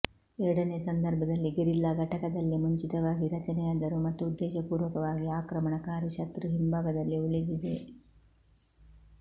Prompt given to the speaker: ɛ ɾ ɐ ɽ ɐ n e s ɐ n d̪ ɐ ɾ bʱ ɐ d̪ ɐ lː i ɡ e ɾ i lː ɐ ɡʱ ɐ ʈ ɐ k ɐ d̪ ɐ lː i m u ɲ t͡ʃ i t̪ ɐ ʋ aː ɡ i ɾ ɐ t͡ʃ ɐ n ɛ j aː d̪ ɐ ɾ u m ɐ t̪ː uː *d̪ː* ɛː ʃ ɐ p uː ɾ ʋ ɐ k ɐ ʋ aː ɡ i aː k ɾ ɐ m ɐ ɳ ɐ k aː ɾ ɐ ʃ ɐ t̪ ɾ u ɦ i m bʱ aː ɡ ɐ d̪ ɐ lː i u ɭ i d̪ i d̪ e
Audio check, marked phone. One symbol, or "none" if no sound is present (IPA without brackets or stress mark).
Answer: d̪ː